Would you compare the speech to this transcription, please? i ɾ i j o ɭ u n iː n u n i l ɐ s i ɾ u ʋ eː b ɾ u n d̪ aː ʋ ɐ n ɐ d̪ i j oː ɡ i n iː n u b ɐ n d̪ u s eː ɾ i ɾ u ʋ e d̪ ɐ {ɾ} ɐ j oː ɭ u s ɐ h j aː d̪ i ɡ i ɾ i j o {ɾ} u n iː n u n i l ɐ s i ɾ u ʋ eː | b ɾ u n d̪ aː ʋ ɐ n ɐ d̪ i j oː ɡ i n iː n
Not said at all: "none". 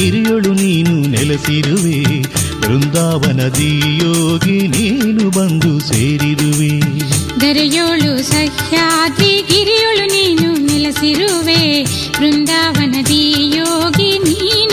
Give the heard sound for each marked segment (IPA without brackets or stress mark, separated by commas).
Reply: ɾ, ɭ